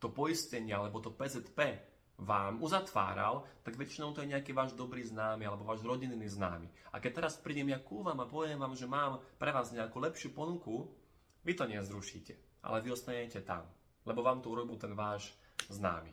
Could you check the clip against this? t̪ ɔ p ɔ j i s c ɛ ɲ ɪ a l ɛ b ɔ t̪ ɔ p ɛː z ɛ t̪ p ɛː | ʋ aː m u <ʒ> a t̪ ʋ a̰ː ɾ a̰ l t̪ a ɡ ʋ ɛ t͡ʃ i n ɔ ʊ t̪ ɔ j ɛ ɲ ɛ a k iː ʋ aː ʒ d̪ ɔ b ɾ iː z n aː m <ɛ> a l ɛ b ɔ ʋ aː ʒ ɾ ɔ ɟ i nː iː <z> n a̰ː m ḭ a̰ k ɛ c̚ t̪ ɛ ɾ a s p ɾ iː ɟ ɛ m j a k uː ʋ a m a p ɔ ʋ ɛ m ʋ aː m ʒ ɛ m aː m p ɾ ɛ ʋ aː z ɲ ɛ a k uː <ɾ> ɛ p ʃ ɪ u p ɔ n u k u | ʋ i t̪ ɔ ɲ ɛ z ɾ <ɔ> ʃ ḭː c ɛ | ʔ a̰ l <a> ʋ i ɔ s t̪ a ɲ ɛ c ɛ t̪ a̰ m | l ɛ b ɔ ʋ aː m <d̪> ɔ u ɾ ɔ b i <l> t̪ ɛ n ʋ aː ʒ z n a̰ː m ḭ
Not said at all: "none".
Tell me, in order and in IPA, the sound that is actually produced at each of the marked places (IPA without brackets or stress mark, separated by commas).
z, i, z, l, u, ɛ, t̪, l